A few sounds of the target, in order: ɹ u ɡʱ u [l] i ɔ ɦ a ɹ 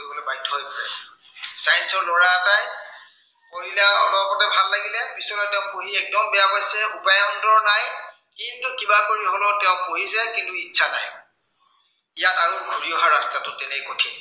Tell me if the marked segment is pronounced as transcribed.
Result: no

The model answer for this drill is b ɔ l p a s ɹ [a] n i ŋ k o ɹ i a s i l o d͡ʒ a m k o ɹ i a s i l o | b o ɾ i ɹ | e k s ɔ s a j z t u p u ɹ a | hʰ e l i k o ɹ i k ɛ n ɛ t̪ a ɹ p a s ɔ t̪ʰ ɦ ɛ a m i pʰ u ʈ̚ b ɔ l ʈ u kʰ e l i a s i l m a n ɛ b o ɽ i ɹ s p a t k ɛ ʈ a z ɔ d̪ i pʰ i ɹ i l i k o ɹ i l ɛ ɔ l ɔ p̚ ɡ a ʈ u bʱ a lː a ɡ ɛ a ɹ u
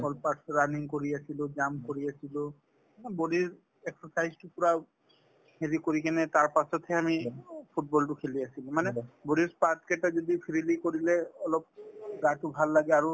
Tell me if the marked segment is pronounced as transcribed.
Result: yes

